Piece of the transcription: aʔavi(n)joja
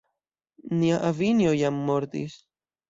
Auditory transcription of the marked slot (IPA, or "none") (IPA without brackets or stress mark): n